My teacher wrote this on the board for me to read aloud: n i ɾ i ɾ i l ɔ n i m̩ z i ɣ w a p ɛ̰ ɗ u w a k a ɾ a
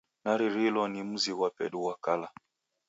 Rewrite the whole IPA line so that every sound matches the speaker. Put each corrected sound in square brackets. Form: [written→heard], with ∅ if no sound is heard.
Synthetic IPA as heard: n [i→a] ɾ i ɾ i l ɔ n i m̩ z i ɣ w a p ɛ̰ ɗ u w a k a [ɾ→l] a